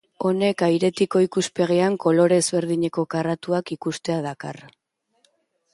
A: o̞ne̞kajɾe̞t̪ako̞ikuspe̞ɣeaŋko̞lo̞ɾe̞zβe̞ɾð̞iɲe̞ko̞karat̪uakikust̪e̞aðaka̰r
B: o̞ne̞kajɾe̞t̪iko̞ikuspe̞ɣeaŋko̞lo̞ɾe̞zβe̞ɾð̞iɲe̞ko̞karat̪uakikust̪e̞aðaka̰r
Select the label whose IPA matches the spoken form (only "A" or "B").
B